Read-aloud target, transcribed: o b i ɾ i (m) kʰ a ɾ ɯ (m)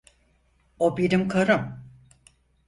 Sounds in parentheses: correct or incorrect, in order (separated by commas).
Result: correct, correct